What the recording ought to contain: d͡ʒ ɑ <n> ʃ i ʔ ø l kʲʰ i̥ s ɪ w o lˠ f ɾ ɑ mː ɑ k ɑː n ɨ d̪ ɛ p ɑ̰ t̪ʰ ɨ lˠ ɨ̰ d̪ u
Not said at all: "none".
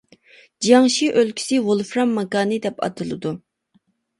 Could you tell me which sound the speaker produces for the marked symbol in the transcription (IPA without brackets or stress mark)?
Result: ŋ